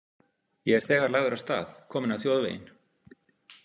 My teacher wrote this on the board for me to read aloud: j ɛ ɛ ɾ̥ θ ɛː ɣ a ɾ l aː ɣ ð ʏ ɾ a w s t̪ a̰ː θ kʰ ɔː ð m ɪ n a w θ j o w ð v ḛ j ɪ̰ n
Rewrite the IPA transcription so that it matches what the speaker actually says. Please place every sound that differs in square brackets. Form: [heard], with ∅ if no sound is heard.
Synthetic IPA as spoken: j ɛ ɛ ɾ̥ θ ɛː ɣ a ɾ l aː ɣ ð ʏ ɾ a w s t̪ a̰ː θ kʰ ɔː [∅] m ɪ n a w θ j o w ð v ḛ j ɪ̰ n